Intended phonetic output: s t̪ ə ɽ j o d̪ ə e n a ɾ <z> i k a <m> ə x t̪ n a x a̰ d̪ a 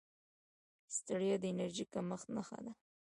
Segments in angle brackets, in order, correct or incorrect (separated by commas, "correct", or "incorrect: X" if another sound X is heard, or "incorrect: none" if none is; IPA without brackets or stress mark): incorrect: ʒ, correct